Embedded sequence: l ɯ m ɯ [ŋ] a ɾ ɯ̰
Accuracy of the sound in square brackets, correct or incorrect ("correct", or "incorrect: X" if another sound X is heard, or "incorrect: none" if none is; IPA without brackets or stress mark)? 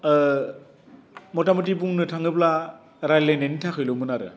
incorrect: n